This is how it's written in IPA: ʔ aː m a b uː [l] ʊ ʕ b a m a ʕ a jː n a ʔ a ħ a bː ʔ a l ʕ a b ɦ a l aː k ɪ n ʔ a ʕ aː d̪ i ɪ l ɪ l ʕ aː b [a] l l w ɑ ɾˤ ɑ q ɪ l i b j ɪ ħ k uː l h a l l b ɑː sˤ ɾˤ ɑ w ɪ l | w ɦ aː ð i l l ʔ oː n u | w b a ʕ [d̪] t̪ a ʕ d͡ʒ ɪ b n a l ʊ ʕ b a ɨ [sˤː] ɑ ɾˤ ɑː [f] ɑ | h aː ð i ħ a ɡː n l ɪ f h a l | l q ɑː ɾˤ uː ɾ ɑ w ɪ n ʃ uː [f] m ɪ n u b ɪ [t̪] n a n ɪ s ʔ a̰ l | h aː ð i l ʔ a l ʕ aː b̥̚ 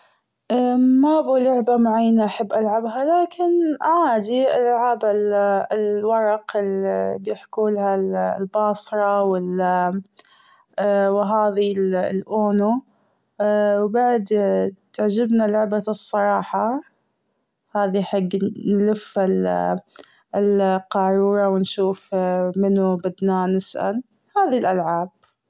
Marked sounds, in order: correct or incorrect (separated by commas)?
correct, correct, correct, correct, incorrect, correct, incorrect